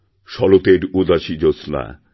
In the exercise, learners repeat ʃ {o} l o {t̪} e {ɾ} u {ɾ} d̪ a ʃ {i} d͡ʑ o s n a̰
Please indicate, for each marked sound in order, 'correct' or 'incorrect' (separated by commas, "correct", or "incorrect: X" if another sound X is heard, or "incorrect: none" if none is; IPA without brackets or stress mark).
incorrect: ɔ, correct, correct, incorrect: none, correct